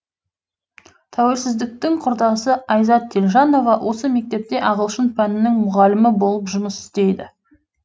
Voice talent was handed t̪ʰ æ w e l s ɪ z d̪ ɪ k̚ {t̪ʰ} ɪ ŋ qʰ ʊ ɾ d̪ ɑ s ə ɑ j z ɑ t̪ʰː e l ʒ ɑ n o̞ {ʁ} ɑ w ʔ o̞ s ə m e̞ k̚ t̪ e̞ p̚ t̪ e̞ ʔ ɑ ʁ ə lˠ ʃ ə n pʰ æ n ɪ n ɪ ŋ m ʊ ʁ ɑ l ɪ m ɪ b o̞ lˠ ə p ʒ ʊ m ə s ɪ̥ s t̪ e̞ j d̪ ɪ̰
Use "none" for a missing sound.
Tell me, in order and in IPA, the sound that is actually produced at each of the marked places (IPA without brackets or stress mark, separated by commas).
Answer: t̪, v